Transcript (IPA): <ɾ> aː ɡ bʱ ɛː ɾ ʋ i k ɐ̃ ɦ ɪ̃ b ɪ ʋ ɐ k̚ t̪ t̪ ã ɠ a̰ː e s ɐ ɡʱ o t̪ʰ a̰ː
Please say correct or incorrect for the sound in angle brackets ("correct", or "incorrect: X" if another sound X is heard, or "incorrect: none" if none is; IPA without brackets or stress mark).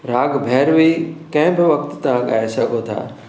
correct